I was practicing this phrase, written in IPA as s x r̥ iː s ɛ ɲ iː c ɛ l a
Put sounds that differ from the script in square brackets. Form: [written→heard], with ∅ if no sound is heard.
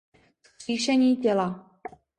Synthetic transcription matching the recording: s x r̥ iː [s→ʃ] ɛ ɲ iː c ɛ l a